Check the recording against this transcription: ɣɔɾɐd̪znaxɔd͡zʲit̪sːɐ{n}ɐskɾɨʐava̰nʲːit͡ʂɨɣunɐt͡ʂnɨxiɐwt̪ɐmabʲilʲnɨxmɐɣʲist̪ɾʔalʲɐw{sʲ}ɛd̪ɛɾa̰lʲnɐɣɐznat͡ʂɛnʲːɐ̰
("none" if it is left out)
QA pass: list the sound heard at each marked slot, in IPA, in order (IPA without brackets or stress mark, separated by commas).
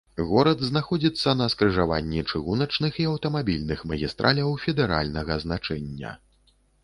n, fʲ